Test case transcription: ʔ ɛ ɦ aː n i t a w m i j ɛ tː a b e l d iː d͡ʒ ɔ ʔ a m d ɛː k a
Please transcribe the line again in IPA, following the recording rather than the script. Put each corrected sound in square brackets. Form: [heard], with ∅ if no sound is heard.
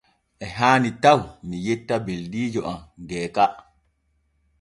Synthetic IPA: ʔ ɛ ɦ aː n i t a w m i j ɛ tː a b e l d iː d͡ʒ ɔ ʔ a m [ɡ] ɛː k a